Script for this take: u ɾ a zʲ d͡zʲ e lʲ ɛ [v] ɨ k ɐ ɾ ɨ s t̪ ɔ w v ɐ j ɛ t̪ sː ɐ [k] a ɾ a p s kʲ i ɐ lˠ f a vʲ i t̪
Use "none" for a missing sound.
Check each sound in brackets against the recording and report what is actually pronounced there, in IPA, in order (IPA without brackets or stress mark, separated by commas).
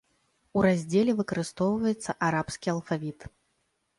v, ʔ